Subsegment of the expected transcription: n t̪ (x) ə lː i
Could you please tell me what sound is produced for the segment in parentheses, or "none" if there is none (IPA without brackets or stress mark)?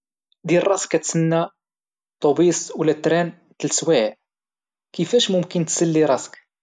s